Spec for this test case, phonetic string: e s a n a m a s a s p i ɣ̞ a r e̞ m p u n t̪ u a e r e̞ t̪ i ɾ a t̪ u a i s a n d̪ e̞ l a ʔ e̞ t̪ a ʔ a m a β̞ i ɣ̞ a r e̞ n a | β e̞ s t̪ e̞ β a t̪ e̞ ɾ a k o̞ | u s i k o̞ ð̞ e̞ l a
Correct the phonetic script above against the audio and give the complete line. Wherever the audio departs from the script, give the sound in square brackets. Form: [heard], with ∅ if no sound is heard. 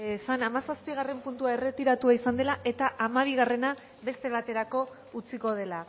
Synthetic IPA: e s a n a m a s a s p i ɣ̞ a r e̞ m p u n t̪ u a e r e̞ t̪ i ɾ a t̪ u a i s a n d̪ e̞ l a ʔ e̞ t̪ a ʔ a m a β̞ i ɣ̞ a r e̞ n a | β e̞ s t̪ e̞ β a t̪ e̞ ɾ a k o̞ | u [t͡s] i k o̞ ð̞ e̞ l a

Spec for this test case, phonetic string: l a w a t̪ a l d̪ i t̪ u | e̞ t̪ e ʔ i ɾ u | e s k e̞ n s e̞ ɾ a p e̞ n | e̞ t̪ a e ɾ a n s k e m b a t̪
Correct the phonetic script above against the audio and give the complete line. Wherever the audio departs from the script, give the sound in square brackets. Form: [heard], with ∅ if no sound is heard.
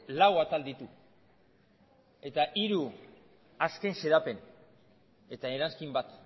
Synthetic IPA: l a w a t̪ a l d̪ i t̪ u | e̞ t̪ [a] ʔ i ɾ u | [a] s k e̞ n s e̞ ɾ a p e̞ n | e̞ t̪ a e ɾ a n s k [i] m b a t̪

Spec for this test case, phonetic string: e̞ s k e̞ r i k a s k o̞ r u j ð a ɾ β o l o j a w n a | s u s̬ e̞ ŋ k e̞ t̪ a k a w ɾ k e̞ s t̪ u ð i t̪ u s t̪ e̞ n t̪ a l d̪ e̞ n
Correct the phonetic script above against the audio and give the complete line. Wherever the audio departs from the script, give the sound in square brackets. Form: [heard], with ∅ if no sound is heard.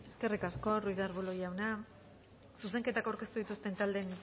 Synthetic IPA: e̞ s k e̞ r i k a s k o̞ r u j ð a ɾ β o l o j a w n a | s u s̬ e̞ ŋ k e̞ t̪ a k a w ɾ k e̞ s t̪ u ð i t̪ u s t̪ e̞ n t̪ a l d̪ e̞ n

